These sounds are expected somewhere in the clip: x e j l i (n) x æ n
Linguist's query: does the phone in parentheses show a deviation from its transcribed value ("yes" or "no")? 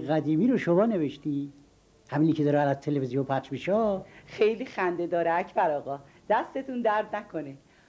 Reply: yes